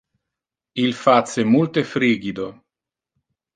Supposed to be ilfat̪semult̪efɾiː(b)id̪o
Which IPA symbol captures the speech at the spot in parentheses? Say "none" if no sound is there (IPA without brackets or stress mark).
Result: ɡ